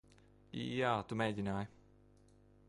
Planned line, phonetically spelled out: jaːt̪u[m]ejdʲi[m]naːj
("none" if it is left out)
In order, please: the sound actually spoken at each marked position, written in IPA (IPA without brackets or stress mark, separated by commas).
m, none